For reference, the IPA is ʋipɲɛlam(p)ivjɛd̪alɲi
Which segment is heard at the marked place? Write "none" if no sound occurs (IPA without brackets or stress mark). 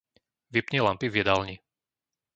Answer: p